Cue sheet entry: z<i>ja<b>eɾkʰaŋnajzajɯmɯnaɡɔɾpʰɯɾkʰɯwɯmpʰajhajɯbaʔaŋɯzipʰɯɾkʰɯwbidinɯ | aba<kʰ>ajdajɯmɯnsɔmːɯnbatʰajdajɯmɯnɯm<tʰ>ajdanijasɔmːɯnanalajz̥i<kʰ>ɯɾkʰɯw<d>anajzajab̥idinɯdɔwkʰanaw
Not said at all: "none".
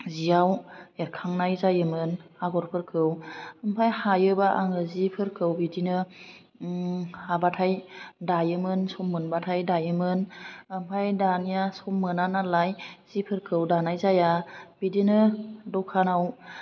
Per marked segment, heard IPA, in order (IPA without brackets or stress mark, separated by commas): i, w, tʰ, pʰ, pʰ, d